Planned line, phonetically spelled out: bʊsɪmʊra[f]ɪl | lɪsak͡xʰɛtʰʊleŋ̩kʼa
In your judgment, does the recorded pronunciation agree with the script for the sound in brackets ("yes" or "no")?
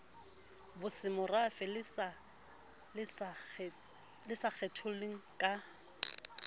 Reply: yes